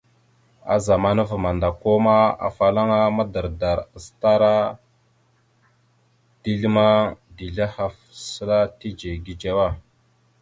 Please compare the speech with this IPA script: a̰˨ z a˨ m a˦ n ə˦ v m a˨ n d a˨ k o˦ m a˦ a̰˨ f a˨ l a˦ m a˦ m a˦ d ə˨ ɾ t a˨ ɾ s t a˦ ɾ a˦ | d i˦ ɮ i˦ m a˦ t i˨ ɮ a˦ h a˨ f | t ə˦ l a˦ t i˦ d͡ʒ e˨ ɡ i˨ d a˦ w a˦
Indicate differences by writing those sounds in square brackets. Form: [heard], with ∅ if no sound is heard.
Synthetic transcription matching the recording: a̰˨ z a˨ m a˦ n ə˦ v m a˨ n d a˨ k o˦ m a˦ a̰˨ f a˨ l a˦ [ŋ] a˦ m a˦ d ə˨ ɾ [d] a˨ ɾ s t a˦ ɾ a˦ | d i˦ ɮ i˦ m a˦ [d] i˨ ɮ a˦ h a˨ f | [s] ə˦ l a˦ t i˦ d͡ʒ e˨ ɡ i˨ [d͡ʒ] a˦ w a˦